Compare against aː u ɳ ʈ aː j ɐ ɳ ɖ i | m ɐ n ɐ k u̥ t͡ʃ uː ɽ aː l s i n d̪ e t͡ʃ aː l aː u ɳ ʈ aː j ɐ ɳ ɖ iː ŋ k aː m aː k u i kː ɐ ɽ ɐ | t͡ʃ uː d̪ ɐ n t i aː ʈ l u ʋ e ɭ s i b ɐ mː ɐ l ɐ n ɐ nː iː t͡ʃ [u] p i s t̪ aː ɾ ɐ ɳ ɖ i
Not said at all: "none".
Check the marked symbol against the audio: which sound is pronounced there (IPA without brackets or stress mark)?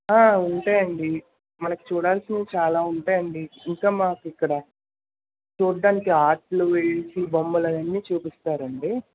uː